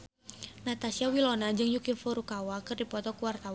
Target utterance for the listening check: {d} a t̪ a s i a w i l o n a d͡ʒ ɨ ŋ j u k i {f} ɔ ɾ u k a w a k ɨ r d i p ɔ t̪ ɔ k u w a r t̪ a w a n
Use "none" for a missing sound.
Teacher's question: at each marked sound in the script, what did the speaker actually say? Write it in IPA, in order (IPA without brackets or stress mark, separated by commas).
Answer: n, f